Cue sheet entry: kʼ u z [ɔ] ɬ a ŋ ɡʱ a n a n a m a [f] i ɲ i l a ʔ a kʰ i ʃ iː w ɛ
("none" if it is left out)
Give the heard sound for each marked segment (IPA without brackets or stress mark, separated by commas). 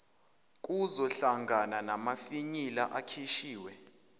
ɔ, f